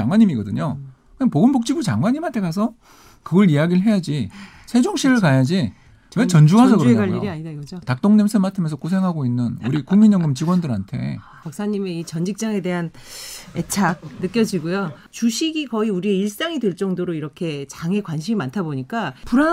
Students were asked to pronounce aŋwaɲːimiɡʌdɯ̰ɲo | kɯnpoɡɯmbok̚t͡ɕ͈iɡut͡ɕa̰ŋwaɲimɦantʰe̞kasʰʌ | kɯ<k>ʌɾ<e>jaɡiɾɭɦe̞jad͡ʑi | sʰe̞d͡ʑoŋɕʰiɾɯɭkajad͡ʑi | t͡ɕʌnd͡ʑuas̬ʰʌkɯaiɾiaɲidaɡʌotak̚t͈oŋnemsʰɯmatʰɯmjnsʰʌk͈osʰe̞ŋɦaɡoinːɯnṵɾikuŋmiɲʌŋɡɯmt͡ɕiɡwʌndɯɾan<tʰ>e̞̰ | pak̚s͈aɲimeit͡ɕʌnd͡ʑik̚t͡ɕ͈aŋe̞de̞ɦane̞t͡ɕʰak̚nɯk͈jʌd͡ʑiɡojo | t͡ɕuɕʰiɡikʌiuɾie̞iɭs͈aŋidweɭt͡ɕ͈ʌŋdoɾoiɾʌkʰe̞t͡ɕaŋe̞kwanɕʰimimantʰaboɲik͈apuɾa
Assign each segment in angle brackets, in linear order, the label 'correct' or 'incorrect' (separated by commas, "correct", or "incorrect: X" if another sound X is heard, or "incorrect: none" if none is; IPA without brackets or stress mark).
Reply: incorrect: ɡ, incorrect: i, correct